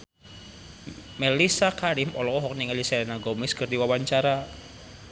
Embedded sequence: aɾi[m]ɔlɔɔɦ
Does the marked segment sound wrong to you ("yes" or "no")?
no